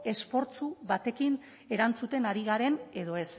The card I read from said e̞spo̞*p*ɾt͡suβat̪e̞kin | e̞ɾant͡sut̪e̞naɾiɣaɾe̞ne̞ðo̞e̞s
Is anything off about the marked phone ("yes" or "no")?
yes